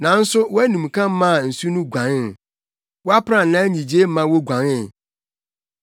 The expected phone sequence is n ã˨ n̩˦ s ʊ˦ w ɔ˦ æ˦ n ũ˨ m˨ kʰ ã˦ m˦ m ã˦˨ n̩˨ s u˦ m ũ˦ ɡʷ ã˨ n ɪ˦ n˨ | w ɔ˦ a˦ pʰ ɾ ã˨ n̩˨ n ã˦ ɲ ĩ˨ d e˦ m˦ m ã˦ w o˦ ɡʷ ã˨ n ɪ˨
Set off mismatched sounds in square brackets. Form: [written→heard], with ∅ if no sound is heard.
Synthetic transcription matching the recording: n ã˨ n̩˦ s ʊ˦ w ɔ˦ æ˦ n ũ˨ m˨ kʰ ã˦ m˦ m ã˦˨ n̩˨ s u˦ [m→n] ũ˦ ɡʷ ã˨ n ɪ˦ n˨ | w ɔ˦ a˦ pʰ ɾ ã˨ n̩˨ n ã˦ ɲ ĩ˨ [d→d͡ʑ] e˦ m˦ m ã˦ w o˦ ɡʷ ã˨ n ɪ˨